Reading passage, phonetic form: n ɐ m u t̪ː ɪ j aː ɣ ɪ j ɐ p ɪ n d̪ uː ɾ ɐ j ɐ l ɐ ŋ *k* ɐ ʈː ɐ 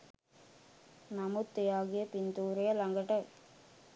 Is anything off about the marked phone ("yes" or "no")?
yes